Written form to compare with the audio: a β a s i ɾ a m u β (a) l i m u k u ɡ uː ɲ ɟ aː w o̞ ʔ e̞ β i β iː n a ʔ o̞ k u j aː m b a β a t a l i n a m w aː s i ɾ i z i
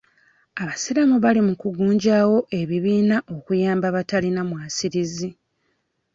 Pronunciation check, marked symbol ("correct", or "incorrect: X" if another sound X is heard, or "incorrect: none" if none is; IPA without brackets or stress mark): correct